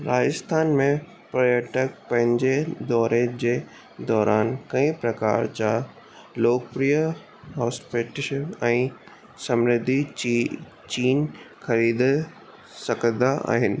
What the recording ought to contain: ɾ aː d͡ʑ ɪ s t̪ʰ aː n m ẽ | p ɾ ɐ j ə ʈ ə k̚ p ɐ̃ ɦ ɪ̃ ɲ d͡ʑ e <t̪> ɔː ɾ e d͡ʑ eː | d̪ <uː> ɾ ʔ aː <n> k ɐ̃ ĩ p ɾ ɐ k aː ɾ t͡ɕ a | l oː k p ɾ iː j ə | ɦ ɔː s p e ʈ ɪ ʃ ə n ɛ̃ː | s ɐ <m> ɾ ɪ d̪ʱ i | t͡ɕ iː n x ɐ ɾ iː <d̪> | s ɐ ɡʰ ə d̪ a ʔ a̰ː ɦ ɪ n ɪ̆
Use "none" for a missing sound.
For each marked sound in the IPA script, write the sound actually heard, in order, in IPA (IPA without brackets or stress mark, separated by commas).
d̪, ɔː, n, m, d̪